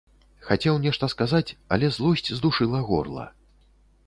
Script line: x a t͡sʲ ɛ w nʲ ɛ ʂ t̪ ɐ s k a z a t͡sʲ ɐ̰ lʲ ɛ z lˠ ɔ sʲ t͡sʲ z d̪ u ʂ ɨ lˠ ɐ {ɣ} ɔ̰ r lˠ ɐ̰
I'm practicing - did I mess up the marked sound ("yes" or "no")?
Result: no